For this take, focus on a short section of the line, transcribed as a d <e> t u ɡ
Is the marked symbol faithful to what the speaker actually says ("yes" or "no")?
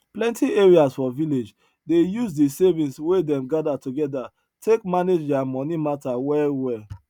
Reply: no